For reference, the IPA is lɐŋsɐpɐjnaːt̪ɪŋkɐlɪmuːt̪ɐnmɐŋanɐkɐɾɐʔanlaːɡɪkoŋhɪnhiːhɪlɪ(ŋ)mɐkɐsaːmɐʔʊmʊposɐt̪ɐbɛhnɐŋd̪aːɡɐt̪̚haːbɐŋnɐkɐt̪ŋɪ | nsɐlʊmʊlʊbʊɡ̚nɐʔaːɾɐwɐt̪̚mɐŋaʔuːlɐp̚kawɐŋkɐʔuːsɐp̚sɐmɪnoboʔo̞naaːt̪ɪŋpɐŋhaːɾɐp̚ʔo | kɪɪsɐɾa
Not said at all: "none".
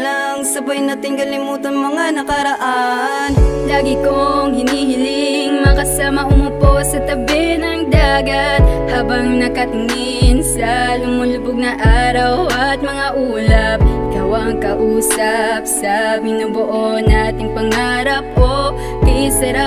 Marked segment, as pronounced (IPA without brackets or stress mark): ŋ